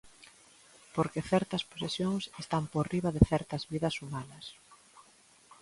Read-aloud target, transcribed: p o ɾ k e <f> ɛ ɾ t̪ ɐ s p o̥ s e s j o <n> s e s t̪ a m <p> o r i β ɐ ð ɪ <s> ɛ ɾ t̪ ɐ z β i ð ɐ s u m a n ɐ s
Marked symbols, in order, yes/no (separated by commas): no, no, yes, no